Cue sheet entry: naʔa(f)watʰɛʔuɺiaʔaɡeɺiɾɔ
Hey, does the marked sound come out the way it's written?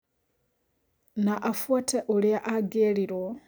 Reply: yes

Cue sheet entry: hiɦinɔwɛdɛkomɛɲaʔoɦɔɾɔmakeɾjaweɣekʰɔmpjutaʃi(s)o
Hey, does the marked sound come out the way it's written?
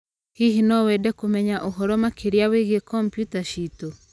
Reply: no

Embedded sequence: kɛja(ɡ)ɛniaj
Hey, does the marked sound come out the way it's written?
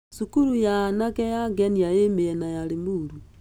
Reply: yes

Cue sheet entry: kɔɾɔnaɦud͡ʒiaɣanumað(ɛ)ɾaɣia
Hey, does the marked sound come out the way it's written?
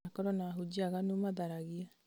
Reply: no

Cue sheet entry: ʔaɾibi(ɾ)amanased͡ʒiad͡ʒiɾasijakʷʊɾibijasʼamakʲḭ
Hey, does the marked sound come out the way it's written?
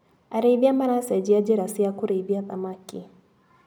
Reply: no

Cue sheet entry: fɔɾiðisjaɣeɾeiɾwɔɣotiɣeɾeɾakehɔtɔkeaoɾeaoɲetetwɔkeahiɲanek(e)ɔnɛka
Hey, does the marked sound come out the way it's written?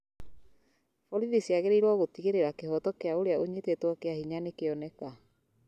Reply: yes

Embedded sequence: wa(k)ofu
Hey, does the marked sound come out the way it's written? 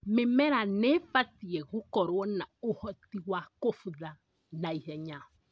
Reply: yes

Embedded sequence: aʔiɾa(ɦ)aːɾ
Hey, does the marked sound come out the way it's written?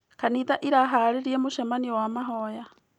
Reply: yes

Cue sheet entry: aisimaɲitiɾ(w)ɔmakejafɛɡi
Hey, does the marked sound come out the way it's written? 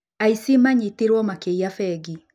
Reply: yes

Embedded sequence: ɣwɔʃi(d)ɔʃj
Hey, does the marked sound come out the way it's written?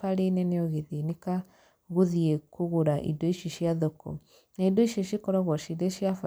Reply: yes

